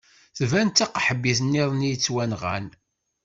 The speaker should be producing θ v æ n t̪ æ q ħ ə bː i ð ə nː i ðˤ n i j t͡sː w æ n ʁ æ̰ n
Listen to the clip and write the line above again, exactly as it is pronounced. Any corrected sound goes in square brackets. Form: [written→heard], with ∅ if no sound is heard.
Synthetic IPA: θ v æ n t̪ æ q ħ ə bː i [ð→θ] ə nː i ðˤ n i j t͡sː w æ n ʁ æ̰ n